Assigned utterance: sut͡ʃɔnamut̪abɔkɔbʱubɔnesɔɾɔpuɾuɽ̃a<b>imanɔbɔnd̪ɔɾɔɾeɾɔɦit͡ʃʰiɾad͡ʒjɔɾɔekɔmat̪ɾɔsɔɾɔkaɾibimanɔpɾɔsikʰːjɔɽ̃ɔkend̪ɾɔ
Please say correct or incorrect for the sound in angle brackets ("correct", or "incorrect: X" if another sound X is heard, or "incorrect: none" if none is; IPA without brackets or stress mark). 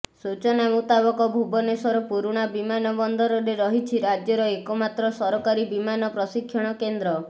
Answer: correct